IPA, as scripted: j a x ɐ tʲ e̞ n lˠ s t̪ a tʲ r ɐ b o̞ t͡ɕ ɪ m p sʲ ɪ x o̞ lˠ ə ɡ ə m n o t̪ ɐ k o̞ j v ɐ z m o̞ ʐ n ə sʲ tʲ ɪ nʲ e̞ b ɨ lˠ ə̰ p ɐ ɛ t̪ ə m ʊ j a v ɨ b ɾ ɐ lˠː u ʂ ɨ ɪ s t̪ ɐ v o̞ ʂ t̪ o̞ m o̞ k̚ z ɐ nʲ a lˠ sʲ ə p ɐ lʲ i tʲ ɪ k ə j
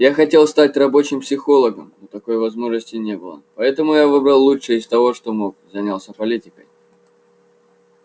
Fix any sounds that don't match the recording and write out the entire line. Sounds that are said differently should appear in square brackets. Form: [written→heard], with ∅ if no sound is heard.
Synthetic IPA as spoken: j a x ɐ tʲ e̞ [n→∅] lˠ s t̪ a tʲ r ɐ b o̞ t͡ɕ ɪ m p sʲ ɪ x o̞ lˠ ə ɡ ə m n o t̪ ɐ k o̞ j v ɐ z m o̞ ʐ n ə sʲ tʲ ɪ nʲ e̞ b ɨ lˠ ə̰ p ɐ ɛ t̪ ə m ʊ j a v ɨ b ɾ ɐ lˠː u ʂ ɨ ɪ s t̪ ɐ v o̞ ʂ t̪ o̞ m o̞ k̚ z ɐ nʲ a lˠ sʲ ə p ɐ lʲ i tʲ ɪ k ə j